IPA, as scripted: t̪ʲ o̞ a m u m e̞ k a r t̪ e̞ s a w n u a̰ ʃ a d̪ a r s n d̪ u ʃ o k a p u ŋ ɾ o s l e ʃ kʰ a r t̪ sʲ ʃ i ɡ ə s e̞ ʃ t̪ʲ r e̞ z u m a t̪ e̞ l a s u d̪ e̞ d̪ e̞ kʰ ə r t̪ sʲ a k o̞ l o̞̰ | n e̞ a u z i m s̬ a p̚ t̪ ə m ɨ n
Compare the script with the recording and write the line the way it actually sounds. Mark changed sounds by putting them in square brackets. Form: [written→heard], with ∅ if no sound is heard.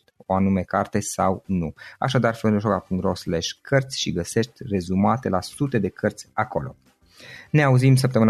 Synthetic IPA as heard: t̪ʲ o̞ a [m→n] u m e̞ k a r t̪ e̞ s a w n u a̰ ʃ a d̪ a r [s→f] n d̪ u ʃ o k a p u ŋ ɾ o s l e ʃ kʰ [a→ə] r t̪ sʲ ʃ i ɡ ə s e̞ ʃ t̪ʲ r e̞ z u m a t̪ e̞ l a s u [d̪→t̪] e̞ d̪ e̞ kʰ ə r t̪ sʲ a k o̞ l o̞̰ | n e̞ a u z i m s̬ [a→ə] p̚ t̪ ə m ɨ n